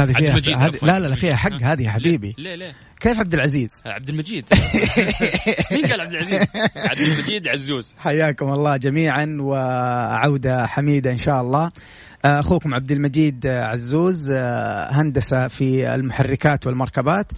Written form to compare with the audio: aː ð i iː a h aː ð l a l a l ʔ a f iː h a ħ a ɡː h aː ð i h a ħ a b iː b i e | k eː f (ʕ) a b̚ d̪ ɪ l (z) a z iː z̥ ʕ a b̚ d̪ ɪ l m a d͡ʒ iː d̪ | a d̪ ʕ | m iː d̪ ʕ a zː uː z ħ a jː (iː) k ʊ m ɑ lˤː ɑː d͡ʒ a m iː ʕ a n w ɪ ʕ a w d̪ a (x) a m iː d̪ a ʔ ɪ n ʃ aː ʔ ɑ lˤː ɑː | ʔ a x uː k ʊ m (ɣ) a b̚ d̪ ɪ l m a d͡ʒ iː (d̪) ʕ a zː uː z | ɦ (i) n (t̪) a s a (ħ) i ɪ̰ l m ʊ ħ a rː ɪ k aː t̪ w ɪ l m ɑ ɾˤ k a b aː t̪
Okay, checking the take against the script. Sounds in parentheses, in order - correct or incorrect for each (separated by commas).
correct, incorrect, incorrect, incorrect, incorrect, correct, incorrect, incorrect, incorrect